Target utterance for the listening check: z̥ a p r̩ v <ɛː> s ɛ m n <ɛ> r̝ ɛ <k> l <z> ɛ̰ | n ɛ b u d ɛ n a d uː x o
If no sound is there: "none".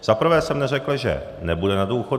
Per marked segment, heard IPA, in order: ɛː, ɛ, k, ʒ

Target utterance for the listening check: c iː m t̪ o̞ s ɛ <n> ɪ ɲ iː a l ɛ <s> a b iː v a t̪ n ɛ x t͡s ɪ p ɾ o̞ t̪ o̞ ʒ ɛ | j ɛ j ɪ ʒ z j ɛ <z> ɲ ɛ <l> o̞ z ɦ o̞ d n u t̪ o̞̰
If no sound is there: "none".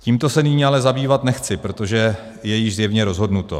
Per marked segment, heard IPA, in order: n, z, v, ɾ

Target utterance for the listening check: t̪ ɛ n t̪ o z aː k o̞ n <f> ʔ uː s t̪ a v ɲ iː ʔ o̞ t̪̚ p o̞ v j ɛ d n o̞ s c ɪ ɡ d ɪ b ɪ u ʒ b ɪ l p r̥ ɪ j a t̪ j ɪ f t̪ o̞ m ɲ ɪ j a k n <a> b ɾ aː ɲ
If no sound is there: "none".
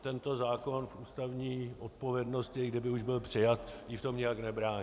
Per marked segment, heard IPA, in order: f, ɛ

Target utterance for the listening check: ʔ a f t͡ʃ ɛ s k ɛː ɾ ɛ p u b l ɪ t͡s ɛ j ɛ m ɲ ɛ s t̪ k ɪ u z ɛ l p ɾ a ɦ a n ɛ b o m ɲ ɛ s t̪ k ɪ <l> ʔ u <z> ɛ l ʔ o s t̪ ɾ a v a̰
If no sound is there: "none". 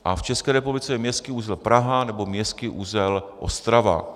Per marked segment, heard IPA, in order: none, z

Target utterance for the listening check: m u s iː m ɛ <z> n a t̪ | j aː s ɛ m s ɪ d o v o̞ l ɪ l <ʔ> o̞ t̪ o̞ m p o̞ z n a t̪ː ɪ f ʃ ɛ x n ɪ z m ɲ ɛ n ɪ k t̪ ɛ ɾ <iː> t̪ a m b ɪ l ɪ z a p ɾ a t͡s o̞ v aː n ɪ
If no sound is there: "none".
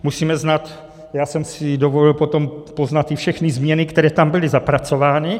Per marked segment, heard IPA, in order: z, p, ɛː

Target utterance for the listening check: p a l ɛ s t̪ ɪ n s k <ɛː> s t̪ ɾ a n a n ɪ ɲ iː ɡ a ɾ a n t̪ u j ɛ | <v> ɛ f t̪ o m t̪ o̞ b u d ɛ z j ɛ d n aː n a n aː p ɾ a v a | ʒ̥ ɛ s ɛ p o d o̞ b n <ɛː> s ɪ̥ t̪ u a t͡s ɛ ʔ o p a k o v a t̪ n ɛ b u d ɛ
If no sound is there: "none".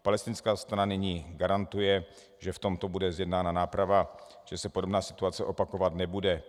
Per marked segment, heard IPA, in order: aː, ʒ, aː

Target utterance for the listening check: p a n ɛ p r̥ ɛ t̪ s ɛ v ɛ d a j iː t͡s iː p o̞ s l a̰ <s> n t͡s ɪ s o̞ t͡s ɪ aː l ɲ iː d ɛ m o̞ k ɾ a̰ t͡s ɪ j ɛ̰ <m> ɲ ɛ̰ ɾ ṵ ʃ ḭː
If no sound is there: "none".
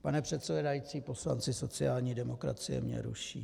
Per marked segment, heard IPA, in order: none, m

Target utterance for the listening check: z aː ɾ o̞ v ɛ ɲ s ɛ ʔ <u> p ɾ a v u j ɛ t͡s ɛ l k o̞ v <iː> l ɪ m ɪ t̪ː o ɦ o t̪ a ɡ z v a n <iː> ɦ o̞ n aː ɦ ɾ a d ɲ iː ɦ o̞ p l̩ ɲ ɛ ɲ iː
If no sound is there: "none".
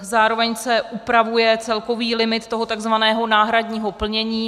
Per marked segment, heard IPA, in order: u, iː, ɛː

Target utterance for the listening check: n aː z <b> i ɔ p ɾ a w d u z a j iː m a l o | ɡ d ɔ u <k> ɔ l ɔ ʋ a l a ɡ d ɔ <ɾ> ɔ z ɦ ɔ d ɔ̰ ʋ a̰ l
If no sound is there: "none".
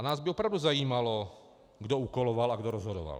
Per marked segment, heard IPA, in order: b, k, ɾ

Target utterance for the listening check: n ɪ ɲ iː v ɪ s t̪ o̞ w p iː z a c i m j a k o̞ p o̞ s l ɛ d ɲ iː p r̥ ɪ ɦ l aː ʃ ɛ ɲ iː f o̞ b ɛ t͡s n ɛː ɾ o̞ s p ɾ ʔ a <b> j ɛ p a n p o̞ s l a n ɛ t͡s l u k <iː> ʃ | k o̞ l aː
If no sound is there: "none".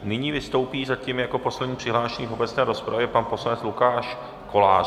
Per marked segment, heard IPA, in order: v, aː

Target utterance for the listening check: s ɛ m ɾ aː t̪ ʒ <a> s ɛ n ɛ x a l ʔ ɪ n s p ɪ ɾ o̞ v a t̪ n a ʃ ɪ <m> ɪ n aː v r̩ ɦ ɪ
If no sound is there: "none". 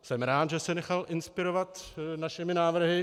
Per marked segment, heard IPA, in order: ɛ, m

